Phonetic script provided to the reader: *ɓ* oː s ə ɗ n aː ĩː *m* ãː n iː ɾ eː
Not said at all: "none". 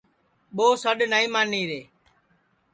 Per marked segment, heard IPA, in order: ɓ, m

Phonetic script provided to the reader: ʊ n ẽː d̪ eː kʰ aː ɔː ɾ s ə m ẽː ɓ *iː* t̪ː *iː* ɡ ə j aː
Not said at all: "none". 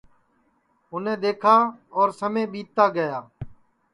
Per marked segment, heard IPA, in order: iː, aː

